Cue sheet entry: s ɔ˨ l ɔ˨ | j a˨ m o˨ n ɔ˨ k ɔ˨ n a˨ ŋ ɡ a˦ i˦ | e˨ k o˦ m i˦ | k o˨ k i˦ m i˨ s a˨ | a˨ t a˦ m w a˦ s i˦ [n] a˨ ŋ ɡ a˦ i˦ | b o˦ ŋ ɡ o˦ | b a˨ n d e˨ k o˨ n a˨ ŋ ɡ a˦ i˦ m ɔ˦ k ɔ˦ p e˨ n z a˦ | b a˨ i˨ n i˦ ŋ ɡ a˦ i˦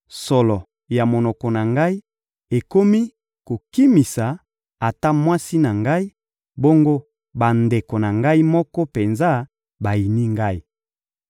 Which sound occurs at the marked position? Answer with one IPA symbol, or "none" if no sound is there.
n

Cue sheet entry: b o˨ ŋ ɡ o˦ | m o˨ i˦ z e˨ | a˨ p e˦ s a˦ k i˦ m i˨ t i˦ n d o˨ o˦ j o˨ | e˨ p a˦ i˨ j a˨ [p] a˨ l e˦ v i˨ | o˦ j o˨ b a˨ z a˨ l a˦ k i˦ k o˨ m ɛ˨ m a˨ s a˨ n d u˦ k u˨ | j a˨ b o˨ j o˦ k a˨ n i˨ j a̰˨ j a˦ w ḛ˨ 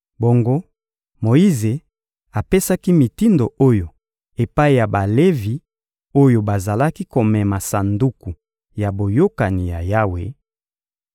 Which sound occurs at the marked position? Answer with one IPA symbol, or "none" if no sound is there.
b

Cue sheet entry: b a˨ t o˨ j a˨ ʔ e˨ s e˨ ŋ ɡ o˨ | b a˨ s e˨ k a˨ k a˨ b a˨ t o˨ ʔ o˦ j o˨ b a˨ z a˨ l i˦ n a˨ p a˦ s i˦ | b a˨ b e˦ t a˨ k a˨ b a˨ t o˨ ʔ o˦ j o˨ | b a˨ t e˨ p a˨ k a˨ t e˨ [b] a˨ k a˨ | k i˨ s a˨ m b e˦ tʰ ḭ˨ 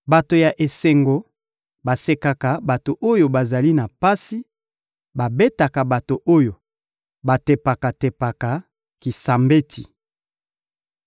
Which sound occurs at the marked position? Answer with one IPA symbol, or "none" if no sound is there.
p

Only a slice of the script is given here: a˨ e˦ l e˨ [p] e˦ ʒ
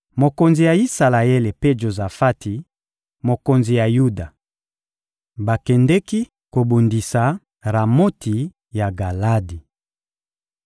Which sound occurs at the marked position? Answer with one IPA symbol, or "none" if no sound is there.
p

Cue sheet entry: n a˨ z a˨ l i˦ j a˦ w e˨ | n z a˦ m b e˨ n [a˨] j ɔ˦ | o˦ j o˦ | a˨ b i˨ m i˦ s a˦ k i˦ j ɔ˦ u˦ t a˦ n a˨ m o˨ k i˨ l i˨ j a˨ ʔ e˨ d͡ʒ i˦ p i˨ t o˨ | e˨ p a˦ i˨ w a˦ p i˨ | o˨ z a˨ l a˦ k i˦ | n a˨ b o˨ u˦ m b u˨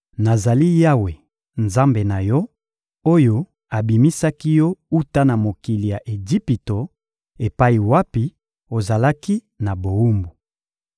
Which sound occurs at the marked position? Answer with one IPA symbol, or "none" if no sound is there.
a˨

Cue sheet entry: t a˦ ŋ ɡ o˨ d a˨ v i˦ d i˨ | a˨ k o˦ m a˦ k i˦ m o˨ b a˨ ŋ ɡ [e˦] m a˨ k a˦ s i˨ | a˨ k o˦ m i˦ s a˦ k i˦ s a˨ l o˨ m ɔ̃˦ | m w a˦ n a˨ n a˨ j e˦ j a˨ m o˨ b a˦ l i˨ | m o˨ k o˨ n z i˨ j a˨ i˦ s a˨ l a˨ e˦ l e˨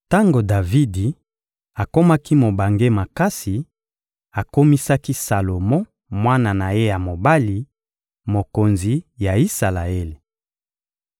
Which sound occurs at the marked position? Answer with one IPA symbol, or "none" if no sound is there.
e˦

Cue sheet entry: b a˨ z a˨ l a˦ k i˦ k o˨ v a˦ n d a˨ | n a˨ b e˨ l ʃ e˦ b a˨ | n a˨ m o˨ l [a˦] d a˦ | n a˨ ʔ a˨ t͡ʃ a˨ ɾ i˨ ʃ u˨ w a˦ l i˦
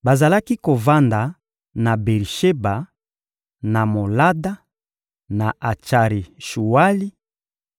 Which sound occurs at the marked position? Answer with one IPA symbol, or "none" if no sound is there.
a˦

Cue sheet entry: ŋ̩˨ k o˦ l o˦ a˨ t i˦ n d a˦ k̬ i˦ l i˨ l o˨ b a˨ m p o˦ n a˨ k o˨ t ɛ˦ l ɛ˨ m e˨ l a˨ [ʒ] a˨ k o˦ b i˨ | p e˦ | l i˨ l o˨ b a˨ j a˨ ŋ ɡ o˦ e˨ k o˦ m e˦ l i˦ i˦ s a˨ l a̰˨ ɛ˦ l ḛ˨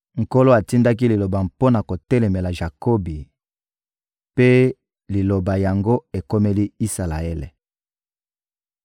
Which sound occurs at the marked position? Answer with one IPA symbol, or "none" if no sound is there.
ʒ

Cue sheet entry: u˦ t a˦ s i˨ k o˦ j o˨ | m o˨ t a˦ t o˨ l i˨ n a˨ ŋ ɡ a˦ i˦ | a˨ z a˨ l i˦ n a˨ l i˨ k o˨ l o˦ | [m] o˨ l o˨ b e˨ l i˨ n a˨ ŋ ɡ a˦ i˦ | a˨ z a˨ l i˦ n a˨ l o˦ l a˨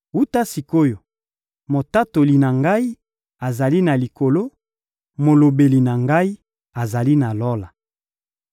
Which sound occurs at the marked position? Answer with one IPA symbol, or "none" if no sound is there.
m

